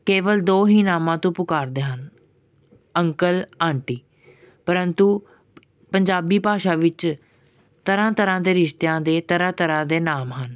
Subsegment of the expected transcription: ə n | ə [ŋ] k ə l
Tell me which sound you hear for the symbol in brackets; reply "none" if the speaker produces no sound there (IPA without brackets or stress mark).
ŋ